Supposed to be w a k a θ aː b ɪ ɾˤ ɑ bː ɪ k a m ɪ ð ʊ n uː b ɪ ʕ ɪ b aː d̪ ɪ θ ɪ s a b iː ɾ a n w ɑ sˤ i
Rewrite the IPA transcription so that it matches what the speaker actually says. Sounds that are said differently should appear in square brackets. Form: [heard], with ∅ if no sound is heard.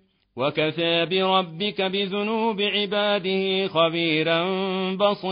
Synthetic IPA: w a k a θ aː b ɪ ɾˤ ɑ bː ɪ k a [b] ɪ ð ʊ n uː b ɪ ʕ ɪ b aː d̪ ɪ [h] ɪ [x] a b iː ɾ a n [b] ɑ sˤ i